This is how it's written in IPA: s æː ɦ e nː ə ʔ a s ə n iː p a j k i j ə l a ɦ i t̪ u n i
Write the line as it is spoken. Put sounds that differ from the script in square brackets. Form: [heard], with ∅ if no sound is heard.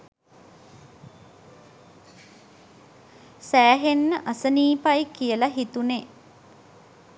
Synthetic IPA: s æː ɦ e nː ə ʔ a s ə n iː p a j k i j ə l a ɦ i t̪ u n [e]